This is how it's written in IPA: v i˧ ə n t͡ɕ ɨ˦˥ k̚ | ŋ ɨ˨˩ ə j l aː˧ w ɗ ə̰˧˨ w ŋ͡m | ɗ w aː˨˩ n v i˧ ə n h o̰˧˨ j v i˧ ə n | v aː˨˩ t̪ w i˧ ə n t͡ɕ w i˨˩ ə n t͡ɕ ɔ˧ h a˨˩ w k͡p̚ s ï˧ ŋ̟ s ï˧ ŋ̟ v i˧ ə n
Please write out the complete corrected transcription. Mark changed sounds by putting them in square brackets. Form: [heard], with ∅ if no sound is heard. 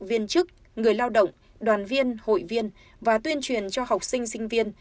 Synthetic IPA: v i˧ ə n t͡ɕ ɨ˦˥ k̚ | ŋ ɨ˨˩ ə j l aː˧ w ɗ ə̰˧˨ w ŋ͡m | ɗ w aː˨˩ n v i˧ ə n h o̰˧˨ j v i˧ ə n | v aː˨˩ t̪ w i˧ ə n t͡ɕ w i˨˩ ə n t͡ɕ ɔ˧ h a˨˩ w k͡p̚ s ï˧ ŋ̟ s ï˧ ŋ̟ v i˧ ə n